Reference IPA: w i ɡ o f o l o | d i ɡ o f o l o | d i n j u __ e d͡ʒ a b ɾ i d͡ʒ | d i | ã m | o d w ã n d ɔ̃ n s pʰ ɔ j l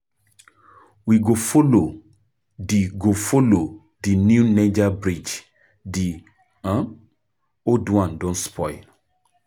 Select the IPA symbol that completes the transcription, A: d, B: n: B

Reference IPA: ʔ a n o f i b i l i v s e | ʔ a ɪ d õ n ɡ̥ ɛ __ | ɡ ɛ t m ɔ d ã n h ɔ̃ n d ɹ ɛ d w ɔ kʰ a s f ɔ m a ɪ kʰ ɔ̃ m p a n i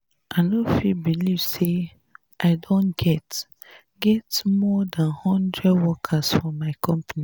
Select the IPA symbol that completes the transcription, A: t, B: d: A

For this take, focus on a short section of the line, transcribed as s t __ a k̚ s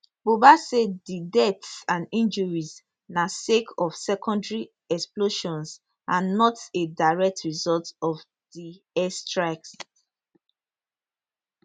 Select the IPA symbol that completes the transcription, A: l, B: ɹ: B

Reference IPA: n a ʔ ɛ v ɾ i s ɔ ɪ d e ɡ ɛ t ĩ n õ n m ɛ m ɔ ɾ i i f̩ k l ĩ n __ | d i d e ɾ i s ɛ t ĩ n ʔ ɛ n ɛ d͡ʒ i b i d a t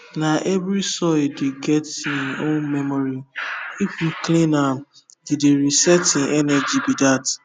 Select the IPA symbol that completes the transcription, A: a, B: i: A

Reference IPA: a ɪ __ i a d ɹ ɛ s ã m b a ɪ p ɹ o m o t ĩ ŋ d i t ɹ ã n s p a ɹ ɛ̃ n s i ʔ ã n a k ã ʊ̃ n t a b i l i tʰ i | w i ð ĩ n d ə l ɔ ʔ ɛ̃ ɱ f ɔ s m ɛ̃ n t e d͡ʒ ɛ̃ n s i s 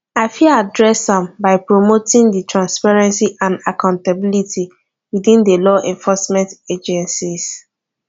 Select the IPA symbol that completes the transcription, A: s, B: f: B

